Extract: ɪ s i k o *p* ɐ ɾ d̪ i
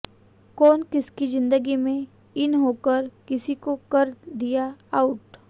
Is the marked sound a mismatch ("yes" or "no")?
yes